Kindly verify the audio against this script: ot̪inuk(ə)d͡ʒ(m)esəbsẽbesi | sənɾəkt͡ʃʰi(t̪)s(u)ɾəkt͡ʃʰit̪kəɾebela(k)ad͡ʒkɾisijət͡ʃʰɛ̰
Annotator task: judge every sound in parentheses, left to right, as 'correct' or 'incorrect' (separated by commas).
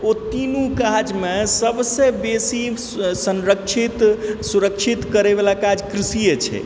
incorrect, correct, correct, correct, correct